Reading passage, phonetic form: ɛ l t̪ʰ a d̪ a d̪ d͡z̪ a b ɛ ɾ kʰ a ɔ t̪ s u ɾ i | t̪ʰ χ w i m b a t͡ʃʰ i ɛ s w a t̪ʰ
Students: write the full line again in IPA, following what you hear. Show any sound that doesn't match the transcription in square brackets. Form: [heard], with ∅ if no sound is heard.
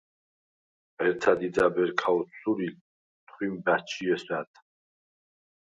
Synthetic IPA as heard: ɛ [ɾ] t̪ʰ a d̪ [i] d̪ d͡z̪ a b ɛ ɾ kʰ a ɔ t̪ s u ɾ i | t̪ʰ χ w i m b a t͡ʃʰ i ɛ s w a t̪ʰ